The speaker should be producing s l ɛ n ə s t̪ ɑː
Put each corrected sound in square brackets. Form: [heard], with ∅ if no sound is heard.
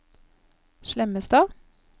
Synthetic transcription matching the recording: [ʃ] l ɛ [m] ə s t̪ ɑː

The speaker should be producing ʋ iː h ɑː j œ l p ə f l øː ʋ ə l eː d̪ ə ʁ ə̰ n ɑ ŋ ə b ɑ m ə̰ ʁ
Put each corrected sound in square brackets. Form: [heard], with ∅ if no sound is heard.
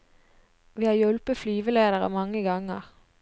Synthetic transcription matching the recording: ʋ iː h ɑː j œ l p ə f l [yː] ʋ ə l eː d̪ ə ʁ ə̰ [m] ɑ ŋ ə [ɡ] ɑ [ŋ] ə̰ ʁ

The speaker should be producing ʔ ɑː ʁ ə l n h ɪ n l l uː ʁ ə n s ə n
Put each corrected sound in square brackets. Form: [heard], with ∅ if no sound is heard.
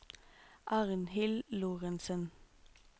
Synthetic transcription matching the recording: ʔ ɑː ʁ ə [∅] n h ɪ [∅] l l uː ʁ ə n s ə n

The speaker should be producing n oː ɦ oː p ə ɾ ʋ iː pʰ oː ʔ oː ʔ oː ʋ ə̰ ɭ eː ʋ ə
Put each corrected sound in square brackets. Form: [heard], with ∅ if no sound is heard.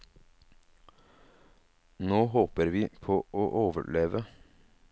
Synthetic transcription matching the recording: n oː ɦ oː p ə ɾ ʋ iː pʰ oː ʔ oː ʔ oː ʋ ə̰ ɭ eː ʋ ə

